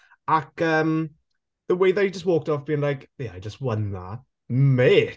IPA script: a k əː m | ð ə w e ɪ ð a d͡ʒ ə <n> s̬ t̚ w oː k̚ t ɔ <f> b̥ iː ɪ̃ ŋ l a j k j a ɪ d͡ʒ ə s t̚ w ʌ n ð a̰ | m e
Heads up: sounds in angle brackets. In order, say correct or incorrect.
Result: incorrect, correct

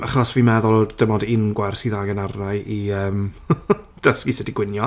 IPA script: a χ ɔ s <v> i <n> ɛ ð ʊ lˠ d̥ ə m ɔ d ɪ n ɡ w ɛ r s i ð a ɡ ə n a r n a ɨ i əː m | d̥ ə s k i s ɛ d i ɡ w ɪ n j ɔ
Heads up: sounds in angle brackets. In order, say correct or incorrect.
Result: correct, incorrect

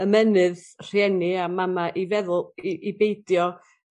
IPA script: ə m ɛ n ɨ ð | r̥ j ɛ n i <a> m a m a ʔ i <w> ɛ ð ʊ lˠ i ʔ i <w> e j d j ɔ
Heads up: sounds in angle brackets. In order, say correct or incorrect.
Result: correct, incorrect, incorrect

